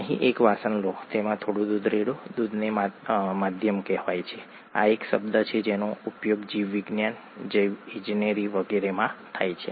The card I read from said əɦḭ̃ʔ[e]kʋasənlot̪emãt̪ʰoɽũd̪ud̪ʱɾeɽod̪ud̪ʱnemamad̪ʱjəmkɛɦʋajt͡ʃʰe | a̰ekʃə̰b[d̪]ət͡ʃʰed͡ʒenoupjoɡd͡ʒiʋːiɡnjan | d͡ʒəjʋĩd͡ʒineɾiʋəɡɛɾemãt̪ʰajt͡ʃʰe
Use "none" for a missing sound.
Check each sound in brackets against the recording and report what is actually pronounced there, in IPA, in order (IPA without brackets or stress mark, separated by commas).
e, d̪